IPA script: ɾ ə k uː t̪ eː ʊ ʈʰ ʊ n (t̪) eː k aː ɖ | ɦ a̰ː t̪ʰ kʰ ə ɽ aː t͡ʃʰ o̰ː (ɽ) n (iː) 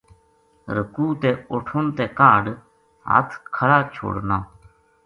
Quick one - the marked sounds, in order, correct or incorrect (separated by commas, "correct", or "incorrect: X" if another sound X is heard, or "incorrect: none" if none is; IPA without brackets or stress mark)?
correct, correct, incorrect: aː